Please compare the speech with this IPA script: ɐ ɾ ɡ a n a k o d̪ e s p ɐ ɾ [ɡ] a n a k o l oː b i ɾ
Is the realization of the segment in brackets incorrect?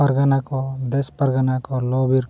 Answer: no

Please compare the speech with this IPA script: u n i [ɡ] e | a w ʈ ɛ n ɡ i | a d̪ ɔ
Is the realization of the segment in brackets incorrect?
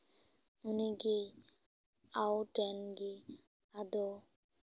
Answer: no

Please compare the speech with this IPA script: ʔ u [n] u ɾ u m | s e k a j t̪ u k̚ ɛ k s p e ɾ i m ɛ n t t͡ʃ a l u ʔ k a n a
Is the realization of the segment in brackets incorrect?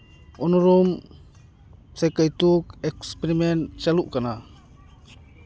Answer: no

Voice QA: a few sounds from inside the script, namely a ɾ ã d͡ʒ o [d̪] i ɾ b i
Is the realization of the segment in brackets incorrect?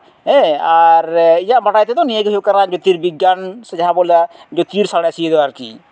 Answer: yes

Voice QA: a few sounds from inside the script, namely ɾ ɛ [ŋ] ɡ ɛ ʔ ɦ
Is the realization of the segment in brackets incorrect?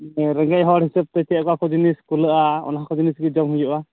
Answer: no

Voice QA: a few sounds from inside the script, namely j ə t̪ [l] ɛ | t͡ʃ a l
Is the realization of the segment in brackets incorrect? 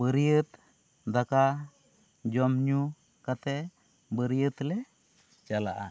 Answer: no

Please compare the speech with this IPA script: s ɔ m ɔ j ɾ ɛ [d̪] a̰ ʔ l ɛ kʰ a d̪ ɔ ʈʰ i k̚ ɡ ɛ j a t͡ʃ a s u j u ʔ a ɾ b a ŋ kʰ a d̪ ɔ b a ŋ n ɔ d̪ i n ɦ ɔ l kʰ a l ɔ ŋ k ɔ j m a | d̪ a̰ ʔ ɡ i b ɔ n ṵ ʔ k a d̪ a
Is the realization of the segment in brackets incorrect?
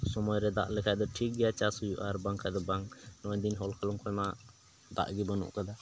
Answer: no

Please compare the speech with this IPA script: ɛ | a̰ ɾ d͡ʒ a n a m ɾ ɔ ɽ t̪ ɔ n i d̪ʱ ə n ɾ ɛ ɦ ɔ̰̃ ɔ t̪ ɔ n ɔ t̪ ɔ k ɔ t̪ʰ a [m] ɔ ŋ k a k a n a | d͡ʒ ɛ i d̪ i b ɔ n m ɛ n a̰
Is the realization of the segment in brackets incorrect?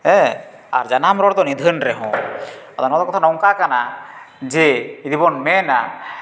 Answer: yes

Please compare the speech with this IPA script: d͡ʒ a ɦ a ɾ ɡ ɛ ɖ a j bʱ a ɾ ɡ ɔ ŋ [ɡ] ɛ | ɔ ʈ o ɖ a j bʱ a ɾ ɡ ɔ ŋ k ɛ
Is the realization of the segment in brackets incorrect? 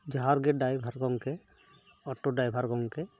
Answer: yes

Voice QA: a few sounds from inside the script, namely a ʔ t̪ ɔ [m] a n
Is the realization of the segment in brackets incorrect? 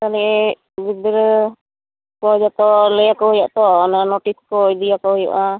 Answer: yes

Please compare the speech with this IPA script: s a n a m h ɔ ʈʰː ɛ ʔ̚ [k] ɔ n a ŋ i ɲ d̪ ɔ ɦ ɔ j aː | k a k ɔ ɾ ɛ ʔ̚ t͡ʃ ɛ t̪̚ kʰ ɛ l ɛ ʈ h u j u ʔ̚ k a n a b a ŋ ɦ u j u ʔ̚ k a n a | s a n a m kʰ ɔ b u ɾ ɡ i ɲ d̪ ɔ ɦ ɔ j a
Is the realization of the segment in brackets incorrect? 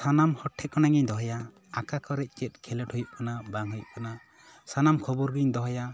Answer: no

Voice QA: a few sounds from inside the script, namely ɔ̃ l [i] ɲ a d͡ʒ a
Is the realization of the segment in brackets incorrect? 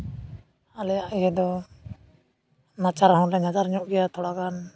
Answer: yes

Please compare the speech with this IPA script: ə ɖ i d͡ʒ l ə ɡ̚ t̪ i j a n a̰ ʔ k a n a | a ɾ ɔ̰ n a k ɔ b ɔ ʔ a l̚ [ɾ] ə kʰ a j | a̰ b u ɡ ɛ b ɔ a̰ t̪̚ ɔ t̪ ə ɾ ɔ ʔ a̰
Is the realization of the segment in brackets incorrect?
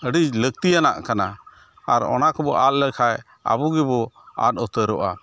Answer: yes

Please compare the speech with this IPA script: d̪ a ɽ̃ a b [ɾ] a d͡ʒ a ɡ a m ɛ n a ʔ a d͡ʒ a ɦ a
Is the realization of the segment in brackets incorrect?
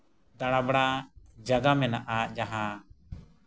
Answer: yes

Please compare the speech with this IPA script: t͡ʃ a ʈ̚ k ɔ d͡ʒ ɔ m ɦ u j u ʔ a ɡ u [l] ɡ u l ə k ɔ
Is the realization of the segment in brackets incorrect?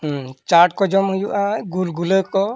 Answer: no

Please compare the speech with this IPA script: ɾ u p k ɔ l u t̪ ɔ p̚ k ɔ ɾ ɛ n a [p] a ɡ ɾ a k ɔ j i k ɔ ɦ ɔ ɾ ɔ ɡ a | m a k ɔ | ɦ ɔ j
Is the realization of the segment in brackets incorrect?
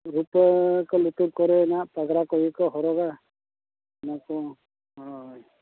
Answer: no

